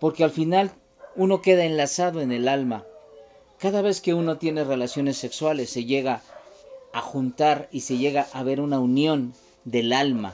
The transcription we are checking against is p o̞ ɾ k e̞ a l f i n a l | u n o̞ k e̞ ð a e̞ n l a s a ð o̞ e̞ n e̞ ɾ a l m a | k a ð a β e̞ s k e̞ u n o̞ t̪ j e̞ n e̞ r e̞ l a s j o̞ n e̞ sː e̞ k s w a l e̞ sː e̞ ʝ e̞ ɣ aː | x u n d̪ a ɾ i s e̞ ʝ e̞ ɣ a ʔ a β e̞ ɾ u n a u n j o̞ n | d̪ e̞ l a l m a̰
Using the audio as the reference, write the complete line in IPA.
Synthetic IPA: p o̞ ɾ k e̞ a l f i n a l | u n o̞ k e̞ ð a e̞ n l a s a ð o̞ e̞ n e̞ l a l m a | k a ð a β e̞ s k e̞ u n o̞ t̪ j e̞ n e̞ r e̞ l a s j o̞ n e̞ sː e̞ k s w a l e̞ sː e̞ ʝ e̞ ɣ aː | x u n t̪ a ɾ i s e̞ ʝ e̞ ɣ a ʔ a β e̞ ɾ u n a u n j o̞ n | d̪ e̞ l a l m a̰